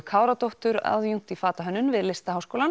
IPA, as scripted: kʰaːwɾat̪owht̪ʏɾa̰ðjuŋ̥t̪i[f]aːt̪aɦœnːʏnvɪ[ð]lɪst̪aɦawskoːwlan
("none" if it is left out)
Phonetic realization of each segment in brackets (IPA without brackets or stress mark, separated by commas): f, ð